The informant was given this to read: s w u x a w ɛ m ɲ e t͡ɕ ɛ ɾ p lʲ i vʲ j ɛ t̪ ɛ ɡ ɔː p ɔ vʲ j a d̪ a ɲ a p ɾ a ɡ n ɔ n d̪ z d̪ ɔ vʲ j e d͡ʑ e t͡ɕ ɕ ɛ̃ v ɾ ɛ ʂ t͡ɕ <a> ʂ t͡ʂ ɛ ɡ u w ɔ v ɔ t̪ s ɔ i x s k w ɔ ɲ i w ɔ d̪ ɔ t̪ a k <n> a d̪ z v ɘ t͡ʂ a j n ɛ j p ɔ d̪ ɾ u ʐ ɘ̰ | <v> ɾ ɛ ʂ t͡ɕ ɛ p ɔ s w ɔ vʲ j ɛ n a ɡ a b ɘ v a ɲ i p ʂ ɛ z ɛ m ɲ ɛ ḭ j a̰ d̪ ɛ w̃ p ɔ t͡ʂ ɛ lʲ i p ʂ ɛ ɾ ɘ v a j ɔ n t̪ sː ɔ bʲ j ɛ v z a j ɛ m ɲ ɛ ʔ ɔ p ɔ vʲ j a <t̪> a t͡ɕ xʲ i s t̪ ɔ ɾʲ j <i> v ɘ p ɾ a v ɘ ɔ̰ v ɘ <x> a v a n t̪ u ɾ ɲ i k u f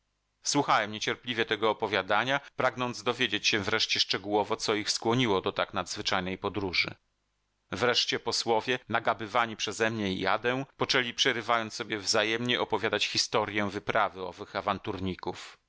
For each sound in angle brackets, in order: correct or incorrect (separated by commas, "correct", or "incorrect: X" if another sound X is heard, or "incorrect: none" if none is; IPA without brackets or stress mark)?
incorrect: ɛ, correct, correct, incorrect: d̪, incorrect: ɛ, correct